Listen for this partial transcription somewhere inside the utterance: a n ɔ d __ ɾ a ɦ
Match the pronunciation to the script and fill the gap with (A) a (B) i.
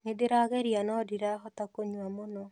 B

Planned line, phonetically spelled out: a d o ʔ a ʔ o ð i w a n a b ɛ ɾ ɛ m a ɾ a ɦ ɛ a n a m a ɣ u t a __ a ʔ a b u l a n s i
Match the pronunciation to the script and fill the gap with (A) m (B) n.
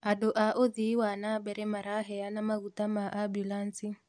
A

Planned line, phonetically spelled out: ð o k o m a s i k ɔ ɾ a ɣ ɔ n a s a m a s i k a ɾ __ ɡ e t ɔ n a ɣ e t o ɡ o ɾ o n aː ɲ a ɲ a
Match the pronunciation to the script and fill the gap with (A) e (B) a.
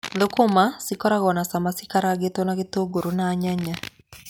B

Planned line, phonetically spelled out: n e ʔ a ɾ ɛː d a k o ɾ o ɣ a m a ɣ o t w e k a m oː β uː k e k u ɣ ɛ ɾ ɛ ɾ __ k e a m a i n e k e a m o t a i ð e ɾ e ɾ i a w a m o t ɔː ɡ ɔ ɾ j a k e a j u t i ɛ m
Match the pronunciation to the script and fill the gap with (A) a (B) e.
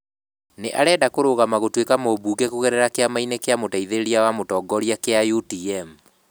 A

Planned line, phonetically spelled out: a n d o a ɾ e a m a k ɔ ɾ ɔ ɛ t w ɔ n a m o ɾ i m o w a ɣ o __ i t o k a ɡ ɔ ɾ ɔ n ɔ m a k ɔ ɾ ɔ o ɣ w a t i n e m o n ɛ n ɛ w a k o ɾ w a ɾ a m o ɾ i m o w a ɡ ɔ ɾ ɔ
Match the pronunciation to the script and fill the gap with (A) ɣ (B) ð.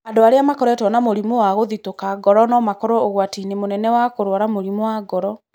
B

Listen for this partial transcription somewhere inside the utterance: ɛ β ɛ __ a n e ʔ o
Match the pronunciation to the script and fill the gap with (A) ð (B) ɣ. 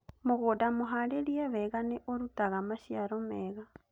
B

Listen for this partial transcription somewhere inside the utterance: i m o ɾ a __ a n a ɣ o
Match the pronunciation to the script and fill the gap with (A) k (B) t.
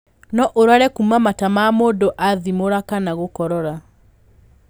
A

